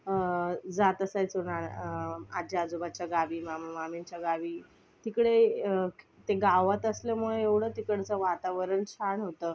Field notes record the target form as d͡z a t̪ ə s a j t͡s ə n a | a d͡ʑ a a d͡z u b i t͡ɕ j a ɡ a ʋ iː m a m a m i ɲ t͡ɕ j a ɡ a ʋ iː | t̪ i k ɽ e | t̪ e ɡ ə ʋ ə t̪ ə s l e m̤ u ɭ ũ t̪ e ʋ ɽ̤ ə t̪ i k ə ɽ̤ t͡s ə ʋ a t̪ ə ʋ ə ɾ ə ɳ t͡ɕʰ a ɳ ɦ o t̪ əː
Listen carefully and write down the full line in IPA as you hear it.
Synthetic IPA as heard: d͡z a t̪ ə s a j t͡s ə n a | a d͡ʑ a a d͡z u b a t͡ɕ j a ɡ a ʋ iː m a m a m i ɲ t͡ɕ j a ɡ a ʋ iː | t̪ i k ɽ e | t̪ e ɡ a ʋ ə t̪ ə s l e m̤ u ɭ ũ e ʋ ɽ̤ ə t̪ i k ə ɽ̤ t͡s ə ʋ a t̪ a ʋ ə ɾ ə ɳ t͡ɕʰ a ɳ ɦ o t̪ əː